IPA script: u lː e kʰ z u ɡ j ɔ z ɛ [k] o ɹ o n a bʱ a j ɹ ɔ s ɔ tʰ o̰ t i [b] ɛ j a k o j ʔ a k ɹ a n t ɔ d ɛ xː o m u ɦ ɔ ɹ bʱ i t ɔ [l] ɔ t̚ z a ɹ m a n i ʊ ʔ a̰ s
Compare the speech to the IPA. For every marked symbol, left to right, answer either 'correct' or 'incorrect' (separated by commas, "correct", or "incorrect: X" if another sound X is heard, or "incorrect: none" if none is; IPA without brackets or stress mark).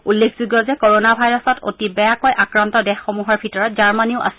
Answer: correct, correct, incorrect: ɹ